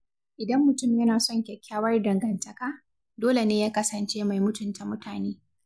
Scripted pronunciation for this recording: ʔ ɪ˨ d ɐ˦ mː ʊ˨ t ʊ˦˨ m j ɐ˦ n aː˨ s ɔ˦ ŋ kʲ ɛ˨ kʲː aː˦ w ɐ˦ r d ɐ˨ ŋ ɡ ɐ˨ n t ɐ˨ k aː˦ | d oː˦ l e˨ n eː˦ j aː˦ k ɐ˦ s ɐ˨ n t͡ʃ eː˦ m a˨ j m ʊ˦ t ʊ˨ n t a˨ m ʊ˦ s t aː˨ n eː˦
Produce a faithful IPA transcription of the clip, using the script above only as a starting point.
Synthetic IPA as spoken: ʔ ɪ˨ d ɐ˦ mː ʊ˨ t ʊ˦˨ m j ɐ˦ n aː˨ s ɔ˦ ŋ kʲ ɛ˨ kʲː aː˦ w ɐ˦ r d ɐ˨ ŋ ɡ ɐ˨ n t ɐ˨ k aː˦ | d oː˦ l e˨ n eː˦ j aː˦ k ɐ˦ s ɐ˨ n t͡ʃ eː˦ m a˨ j m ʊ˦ t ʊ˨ n t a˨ m ʊ˦ t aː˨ n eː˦